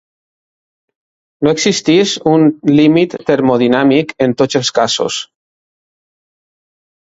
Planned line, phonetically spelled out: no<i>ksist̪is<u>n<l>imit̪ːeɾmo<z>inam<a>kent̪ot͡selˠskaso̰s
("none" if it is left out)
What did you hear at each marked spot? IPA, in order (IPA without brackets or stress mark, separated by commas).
e, u, l, ð, i